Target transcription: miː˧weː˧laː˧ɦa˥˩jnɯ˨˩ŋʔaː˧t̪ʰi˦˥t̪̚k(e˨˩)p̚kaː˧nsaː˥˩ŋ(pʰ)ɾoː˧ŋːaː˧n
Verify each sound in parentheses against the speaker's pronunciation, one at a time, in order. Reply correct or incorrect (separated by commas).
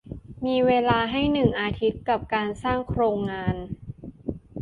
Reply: incorrect, incorrect